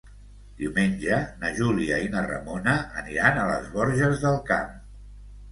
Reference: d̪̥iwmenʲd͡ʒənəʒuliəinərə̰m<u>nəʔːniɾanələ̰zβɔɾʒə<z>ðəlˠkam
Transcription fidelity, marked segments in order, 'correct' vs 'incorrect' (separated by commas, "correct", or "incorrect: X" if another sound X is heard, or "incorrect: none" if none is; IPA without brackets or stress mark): incorrect: o, correct